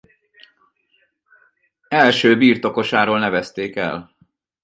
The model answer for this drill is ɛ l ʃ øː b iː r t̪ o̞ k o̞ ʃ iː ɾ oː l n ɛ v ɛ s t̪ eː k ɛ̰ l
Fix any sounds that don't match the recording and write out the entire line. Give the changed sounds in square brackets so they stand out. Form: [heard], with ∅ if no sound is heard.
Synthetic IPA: ɛ l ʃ øː b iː r t̪ o̞ k o̞ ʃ [aː] ɾ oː l n ɛ v ɛ s t̪ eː k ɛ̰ l